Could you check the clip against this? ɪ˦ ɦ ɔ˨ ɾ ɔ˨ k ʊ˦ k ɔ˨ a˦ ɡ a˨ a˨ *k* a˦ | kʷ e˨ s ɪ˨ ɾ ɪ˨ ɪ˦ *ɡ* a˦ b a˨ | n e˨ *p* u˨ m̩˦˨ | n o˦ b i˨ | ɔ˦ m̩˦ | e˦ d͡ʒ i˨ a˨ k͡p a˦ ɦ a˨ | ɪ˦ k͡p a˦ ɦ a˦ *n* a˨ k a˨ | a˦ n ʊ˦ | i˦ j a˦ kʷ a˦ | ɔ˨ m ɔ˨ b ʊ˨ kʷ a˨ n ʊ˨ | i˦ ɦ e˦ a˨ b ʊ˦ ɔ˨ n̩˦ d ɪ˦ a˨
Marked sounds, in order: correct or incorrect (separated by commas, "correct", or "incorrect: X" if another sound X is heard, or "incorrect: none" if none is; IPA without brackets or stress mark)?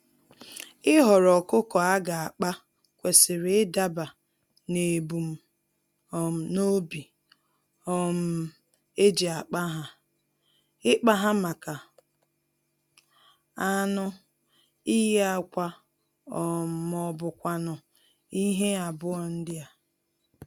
incorrect: k͡p, incorrect: d, incorrect: b, incorrect: m